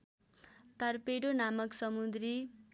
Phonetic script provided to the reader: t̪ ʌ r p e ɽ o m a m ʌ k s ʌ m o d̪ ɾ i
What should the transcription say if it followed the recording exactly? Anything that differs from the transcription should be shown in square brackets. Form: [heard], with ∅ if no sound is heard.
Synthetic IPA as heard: t̪ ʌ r p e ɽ o [n] a m ʌ k s ʌ m [u] d̪ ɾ i